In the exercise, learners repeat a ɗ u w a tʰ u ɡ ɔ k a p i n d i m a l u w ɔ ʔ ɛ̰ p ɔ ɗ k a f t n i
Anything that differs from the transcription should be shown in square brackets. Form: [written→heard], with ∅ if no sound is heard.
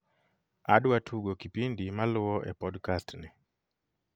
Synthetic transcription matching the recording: a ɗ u w a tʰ u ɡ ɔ k [a→i] p i n d i m a l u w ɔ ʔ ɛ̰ p ɔ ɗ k a [f→s] t n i

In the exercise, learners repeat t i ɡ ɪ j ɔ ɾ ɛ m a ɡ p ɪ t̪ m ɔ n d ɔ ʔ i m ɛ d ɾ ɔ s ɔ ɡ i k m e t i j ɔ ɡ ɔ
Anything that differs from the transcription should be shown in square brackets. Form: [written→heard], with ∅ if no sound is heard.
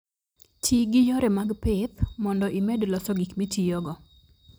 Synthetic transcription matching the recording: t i ɡ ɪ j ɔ ɾ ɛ m a ɡ p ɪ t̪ m ɔ n d ɔ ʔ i m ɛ d [ɾ→l] ɔ s ɔ ɡ i k m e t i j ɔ ɡ ɔ

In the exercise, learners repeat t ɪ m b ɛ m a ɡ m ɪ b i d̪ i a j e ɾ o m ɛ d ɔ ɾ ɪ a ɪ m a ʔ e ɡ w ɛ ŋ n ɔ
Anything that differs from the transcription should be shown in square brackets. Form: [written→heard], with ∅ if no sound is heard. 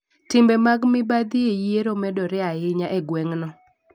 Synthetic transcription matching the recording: t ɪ m b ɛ m a ɡ m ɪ b [i→a] d̪ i [a→e] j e ɾ o m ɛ d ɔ ɾ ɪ a ɪ [m→ɲ] a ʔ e ɡ w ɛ ŋ n ɔ

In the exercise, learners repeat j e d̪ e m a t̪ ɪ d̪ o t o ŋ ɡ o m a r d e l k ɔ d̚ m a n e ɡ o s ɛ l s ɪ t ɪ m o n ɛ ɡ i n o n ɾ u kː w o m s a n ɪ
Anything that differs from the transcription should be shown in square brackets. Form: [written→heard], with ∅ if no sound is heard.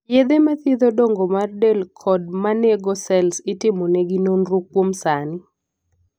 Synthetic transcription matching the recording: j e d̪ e m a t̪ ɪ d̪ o [t→d] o ŋ ɡ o m a r d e l [k→kʰ] ɔ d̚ m a n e ɡ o s ɛ l s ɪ t ɪ m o n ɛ ɡ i n o n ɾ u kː w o m s a n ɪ

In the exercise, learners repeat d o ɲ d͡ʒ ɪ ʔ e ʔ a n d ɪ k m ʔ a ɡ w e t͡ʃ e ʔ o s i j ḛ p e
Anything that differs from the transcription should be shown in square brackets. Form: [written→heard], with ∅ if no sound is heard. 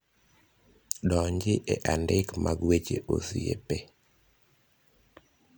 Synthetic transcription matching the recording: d [o→ɔ] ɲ d͡ʒ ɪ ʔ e ʔ a n d ɪ k m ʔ a ɡ w e t͡ʃ e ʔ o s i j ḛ p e

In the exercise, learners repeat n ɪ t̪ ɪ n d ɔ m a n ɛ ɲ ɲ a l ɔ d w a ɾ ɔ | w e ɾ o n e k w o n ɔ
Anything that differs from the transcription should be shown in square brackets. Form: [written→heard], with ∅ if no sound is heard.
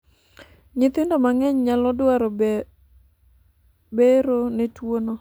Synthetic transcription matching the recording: [n→ɲ] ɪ t̪ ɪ n d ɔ m a [n→ŋ] ɛ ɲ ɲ a l ɔ d w a ɾ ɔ | [w→b] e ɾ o n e [k→t] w o n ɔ

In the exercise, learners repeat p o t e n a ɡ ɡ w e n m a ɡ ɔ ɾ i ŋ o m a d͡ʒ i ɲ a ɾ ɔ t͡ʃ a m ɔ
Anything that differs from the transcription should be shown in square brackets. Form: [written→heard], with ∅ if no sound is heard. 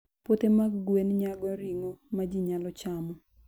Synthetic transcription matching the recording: p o t e [n→m] a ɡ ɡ w e n [m→ɲ] a ɡ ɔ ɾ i ŋ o m a d͡ʒ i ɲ a [ɾ→l] ɔ t͡ʃ a m ɔ

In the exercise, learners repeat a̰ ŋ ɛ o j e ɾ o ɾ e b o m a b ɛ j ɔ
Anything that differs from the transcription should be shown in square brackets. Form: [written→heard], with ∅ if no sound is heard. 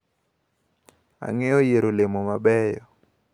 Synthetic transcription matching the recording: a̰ ŋ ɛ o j e ɾ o [ɾ→l] e [b→m] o m a b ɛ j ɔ

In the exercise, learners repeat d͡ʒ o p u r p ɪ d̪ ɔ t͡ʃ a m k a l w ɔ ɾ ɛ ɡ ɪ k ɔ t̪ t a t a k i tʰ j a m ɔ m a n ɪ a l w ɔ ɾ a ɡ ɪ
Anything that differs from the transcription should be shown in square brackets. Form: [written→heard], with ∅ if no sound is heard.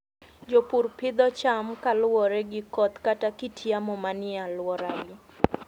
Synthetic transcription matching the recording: d͡ʒ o p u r p ɪ d̪ ɔ t͡ʃ a m k a l w ɔ ɾ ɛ ɡ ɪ k ɔ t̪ [t→k] a t a k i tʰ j a m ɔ m a n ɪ a l w ɔ ɾ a ɡ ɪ

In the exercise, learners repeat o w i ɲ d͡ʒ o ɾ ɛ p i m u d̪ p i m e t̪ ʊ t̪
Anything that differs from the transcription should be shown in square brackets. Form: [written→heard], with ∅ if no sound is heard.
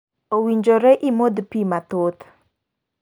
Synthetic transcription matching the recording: o w i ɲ d͡ʒ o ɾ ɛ [p→ʔ] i m [u→o] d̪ p i m [e→a] t̪ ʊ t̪

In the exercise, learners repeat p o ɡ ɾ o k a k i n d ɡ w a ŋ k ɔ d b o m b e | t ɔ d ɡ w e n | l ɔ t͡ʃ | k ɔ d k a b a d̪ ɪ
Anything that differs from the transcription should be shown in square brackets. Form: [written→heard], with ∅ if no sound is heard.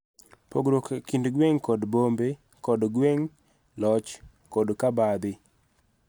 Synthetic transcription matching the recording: p o ɡ ɾ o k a k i n d ɡ w [a→e] ŋ k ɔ d b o m b e | [t→k] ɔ d ɡ w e [n→ŋ] | l ɔ t͡ʃ | k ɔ d k a b a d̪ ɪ

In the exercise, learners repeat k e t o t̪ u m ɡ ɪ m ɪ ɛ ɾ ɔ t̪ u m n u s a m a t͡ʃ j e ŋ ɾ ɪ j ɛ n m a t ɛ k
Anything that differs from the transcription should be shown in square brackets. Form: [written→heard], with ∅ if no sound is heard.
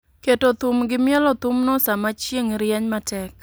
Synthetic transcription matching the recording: k e t o t̪ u m ɡ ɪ m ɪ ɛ [ɾ→l] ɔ t̪ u m n [u→ɔ] s a m a t͡ʃ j e ŋ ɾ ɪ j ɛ [n→ɲ] m a t ɛ k

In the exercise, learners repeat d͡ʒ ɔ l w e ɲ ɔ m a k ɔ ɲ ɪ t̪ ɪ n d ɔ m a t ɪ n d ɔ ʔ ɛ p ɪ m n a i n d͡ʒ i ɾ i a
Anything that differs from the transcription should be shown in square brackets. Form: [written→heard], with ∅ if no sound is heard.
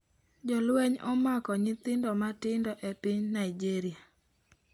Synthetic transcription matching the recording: d͡ʒ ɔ l w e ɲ ɔ m a k ɔ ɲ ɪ t̪ ɪ n d ɔ m a t ɪ n d ɔ ʔ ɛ p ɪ [m→ɲ] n a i [n→∅] d͡ʒ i ɾ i a

